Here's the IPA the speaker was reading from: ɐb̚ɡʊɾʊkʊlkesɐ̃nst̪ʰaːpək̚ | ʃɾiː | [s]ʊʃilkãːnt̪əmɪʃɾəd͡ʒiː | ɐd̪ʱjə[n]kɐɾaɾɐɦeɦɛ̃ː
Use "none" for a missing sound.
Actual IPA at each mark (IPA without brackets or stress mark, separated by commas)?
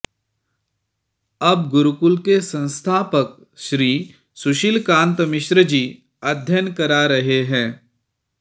s, n